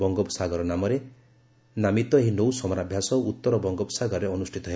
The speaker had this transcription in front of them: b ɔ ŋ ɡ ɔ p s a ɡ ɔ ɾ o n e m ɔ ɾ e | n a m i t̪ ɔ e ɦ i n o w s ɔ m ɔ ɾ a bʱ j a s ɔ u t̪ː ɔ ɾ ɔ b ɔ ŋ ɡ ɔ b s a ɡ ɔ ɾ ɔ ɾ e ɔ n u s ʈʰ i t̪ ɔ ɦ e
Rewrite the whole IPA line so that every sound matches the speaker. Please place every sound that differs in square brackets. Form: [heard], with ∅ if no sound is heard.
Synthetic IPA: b ɔ ŋ ɡ ɔ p s a ɡ ɔ ɾ [ɔ] n [a] m ɔ ɾ e | n a m i t̪ ɔ e ɦ i n o w s ɔ m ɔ ɾ a bʱ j a s ɔ u t̪ː ɔ ɾ ɔ b ɔ ŋ ɡ ɔ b s a ɡ ɔ ɾ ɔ ɾ e ɔ n u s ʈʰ i t̪ ɔ ɦ e